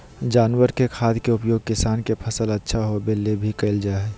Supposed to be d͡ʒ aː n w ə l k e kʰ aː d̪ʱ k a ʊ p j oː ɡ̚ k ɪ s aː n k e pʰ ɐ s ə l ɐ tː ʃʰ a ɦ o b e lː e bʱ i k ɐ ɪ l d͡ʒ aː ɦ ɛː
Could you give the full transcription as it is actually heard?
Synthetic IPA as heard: d͡ʒ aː n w ə ɾ k e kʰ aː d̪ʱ k e ʊ p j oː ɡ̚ k ɪ s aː n k e pʰ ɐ s ə l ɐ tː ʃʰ a ɦ o b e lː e bʱ i k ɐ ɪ l d͡ʒ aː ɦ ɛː